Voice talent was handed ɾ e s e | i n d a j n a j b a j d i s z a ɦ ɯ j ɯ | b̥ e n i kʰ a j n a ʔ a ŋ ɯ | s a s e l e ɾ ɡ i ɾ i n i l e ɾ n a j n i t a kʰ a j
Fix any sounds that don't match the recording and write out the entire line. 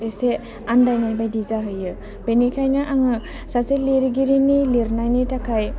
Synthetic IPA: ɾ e s e | a n d a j n a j b a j d i z a ɦ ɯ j ɯ | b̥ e n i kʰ a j n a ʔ a ŋ ɯ | s a s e l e ɾ ɡ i ɾ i n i l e ɾ n a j n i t a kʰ a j